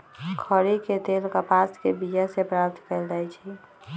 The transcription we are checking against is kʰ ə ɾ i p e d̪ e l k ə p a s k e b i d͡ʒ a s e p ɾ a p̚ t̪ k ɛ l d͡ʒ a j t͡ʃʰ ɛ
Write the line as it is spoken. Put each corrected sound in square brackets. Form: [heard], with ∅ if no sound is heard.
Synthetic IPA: kʰ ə ɾ i [k] e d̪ e l k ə p a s k e b i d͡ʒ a s e p ɾ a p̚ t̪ k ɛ l d͡ʒ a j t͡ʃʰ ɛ